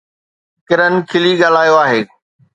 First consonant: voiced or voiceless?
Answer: voiceless